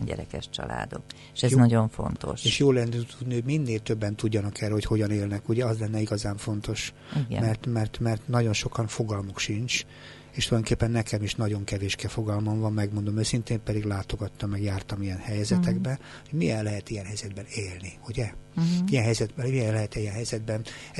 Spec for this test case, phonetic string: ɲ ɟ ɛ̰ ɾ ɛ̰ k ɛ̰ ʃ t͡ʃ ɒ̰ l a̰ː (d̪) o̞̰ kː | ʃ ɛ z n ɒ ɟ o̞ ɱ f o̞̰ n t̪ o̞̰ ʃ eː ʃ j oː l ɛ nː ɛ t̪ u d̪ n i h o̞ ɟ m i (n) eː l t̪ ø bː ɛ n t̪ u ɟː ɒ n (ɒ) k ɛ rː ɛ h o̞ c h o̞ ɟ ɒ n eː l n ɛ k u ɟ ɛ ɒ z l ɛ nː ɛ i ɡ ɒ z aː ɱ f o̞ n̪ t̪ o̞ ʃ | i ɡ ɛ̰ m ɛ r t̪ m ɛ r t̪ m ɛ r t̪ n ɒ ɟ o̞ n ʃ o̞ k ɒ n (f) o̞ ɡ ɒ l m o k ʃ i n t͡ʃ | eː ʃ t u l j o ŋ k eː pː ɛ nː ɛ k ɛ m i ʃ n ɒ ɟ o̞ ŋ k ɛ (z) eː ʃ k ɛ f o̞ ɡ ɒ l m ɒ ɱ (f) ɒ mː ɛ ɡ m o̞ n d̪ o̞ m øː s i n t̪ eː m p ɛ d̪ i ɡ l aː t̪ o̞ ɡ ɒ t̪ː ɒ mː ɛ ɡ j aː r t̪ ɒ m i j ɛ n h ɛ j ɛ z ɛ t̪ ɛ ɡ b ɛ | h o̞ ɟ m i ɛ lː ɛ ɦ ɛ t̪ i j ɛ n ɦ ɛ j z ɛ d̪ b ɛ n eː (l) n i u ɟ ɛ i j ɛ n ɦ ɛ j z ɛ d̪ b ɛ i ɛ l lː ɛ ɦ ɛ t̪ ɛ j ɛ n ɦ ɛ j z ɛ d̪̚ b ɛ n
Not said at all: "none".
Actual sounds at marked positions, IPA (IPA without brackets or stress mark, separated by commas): d̪, nː, ɒ, f, v, v, l